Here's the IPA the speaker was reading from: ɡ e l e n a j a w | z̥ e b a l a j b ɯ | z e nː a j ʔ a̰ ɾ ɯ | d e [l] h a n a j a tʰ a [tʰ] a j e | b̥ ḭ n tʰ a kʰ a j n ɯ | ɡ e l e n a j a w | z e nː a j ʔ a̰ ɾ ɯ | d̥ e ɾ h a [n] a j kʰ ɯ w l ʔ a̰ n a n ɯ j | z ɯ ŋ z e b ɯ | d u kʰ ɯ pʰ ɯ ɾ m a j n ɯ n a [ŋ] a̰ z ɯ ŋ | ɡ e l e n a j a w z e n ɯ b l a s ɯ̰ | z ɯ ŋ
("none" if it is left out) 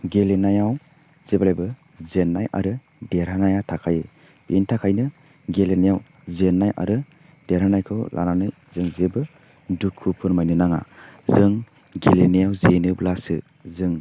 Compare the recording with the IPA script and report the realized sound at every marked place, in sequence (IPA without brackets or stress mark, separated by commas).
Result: ɾ, kʰ, n, ŋ